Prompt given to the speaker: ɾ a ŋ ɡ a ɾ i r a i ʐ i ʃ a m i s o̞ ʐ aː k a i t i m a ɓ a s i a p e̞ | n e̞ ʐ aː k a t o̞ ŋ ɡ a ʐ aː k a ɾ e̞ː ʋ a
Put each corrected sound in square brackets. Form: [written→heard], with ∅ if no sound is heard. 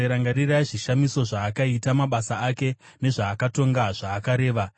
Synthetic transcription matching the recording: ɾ a ŋ ɡ a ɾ i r a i ʐ i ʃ a m i s o̞ ʐ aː k a i t [i→a] m a ɓ a s [i→a] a [p→k] e̞ | n e̞ ʐ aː k a t o̞ ŋ ɡ a ʐ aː k a ɾ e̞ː ʋ a